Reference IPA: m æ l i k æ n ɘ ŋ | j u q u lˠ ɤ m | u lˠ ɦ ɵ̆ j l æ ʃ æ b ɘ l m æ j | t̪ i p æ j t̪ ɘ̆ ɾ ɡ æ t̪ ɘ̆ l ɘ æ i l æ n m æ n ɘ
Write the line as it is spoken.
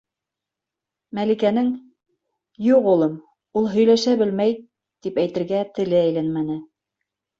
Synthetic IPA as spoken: m æ l i k æ n ɘ ŋ | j u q u lˠ ɤ m | u lˠ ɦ ɵ̆ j l æ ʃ æ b ɘ l m æ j | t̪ i p æ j t̪ ɘ̆ ɾ ɡ æ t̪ ɘ̆ l ɘ æ j l æ n m æ n ɘ